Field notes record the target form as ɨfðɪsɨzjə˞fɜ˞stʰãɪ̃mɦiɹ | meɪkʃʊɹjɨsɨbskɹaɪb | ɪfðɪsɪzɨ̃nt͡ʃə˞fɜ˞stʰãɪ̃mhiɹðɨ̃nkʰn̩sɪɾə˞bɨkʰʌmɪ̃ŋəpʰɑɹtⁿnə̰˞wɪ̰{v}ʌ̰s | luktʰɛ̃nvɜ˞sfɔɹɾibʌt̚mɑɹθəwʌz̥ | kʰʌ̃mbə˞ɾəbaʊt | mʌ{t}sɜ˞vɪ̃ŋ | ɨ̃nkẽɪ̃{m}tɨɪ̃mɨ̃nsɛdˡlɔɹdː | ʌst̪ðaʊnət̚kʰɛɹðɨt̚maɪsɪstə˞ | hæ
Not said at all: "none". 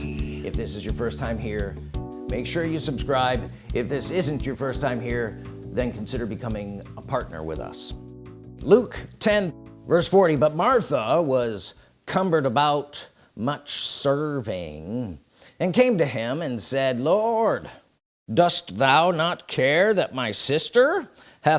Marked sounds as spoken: ð, t͡ʃ, m

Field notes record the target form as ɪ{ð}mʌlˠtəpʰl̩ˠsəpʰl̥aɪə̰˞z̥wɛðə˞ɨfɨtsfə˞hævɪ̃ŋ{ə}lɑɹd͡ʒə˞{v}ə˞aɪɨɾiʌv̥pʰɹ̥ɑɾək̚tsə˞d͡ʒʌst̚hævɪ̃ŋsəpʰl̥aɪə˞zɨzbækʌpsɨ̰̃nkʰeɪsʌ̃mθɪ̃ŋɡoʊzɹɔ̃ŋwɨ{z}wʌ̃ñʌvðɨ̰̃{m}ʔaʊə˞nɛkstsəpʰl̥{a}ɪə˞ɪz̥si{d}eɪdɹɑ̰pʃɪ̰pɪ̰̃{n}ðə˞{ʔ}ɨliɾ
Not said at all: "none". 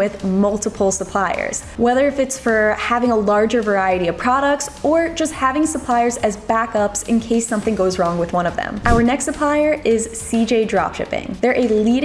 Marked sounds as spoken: ð, ə, v, ð, m, a, d͡ʒ, ŋ, ʔ

